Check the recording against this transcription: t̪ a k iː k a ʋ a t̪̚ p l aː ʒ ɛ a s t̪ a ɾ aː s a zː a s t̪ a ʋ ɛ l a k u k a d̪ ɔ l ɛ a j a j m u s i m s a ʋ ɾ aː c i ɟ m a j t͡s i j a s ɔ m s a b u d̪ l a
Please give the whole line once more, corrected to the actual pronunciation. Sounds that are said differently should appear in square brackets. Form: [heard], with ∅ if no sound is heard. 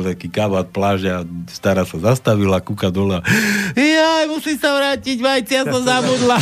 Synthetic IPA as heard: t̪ a k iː k a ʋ a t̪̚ p l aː ʒ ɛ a s t̪ a ɾ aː s a [z] a s t̪ a ʋ [i] l a k u k a d̪ ɔ l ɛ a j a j m u s i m s a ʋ ɾ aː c i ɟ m a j t͡s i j a s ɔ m [z] a b u d̪ l a